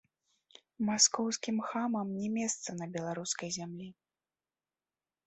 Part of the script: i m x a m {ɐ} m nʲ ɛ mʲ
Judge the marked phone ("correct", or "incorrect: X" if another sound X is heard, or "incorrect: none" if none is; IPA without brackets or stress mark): correct